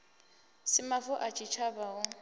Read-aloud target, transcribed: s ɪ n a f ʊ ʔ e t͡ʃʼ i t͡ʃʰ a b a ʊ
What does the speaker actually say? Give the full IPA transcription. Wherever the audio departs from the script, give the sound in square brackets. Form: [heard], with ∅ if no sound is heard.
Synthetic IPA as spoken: s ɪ [m] a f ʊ ʔ [a] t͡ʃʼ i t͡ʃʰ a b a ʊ